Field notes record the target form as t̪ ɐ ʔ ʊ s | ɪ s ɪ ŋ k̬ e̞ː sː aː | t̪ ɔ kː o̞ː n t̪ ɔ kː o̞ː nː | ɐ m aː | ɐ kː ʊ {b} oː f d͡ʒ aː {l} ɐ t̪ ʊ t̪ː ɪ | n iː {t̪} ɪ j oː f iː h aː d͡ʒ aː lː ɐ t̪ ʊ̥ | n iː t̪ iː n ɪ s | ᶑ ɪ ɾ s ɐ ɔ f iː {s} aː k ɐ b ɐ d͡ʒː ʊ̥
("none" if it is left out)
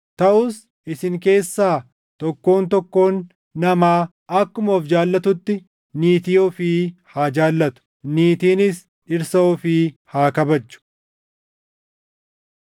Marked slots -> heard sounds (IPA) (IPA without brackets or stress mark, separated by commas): m, lː, t̪, h